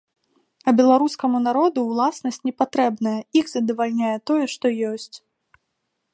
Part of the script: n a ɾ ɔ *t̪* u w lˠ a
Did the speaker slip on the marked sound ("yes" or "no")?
yes